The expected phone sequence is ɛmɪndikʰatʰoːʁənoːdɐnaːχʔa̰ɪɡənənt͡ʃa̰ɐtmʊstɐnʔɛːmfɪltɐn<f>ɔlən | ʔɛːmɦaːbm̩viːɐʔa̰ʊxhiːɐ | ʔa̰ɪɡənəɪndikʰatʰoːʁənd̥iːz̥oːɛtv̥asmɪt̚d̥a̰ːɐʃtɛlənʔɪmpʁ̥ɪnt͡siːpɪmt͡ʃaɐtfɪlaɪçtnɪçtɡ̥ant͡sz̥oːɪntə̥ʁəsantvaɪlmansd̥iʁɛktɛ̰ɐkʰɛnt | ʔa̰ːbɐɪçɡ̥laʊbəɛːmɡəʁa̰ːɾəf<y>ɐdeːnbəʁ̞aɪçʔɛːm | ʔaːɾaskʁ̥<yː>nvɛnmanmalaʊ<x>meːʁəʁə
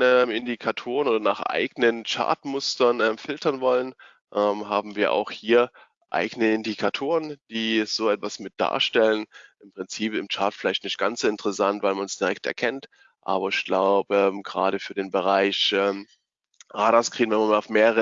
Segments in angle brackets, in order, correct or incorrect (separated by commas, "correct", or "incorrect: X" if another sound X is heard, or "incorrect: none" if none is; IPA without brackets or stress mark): incorrect: v, incorrect: yː, incorrect: iː, incorrect: f